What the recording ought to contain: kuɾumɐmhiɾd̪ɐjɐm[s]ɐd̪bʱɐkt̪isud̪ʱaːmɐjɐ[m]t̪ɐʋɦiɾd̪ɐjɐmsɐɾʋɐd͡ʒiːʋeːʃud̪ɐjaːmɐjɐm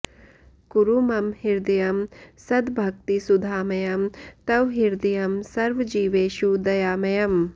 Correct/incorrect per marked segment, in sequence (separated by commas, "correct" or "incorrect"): correct, correct